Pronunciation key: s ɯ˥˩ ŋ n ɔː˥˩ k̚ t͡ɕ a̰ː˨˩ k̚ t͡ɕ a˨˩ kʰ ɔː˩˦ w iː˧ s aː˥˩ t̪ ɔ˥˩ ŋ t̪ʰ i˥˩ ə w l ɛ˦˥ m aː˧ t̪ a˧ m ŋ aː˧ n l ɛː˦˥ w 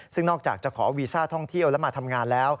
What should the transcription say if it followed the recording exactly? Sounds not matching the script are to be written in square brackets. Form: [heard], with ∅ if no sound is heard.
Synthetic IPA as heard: s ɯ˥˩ ŋ n ɔː˥˩ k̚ t͡ɕ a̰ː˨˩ k̚ t͡ɕ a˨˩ kʰ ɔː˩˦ w iː˧ s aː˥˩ [t̪ʰ] ɔ˥˩ ŋ t̪ʰ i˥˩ ə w l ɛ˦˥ m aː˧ [t̪ʰ] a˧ m ŋ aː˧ n l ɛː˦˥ w